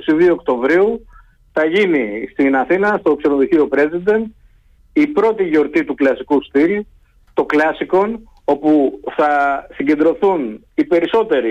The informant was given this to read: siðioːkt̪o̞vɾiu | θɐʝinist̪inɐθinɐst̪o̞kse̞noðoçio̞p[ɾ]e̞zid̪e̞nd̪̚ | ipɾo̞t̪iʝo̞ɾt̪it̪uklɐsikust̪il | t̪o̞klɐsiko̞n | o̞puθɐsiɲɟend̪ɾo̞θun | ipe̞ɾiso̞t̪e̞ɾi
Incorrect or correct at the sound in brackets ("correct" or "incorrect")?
correct